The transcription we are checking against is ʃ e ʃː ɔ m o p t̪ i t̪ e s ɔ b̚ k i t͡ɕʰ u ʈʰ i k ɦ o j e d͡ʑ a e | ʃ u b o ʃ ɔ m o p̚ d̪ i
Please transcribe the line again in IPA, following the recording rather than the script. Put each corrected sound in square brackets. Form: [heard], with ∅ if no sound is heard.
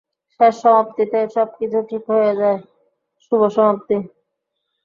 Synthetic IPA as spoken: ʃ e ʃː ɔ m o p t̪ i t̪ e [ʃ] ɔ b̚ k i t͡ɕʰ u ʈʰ i k ɦ o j e d͡ʑ a e | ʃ u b o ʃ ɔ m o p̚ [t̪] i